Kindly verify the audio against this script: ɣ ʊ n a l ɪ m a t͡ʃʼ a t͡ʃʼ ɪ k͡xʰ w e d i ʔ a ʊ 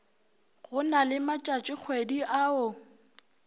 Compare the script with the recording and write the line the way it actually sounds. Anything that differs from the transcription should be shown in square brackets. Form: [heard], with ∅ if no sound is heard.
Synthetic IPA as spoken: ɣ ʊ n a l ɪ m a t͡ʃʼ a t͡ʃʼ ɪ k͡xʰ w e d i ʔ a ʊ